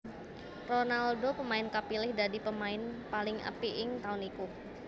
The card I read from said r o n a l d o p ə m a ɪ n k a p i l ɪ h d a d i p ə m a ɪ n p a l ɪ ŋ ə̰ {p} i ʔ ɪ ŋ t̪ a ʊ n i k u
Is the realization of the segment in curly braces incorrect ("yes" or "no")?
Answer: no